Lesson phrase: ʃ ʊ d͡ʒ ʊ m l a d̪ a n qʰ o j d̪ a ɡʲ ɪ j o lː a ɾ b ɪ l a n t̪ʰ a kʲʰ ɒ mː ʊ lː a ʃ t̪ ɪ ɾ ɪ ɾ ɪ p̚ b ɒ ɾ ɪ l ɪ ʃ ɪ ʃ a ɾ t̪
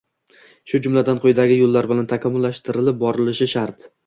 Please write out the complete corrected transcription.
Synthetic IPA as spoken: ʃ ʊ d͡ʒ ʊ m l a d̪ a n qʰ o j d̪ a ɡʲ ɪ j o lː a ɾ b ɪ l a n t̪ʰ a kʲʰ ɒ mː ʊ lː a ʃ t̪ ɪ ɾ ɪ l ɪ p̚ b ɒ ɾ ɪ l ɪ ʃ ɪ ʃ a ɾ t̪